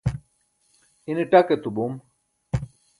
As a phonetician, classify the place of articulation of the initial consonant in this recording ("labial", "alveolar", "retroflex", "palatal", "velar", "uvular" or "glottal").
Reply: alveolar